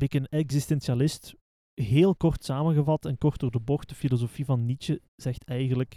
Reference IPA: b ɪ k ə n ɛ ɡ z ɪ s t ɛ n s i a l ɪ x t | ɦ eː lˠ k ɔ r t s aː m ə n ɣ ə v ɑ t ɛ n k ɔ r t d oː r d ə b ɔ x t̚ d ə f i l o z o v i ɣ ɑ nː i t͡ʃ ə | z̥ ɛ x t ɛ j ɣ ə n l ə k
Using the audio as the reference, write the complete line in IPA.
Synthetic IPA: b ɪ k ə n ɛ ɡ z ɪ s t ɛ n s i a l ɪ s t | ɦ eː lˠ k ɔ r t s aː m ə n ɣ ə v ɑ t ɛ n k ɔ r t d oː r d ə b ɔ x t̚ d ə f i l o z o f i v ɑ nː i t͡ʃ ə | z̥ ɛ x t ɛ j ɣ ə n l ə k